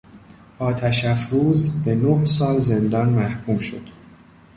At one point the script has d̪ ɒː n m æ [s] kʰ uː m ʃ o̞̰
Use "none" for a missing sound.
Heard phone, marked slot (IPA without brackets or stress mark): h